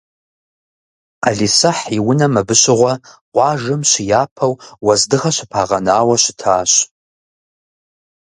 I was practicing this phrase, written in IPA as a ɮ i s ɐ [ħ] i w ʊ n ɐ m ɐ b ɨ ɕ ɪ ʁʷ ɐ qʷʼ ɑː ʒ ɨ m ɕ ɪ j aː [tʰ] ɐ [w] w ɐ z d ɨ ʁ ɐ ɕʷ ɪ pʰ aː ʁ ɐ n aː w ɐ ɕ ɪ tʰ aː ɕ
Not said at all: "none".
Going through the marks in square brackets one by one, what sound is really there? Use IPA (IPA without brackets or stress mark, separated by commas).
ħ, pʰ, w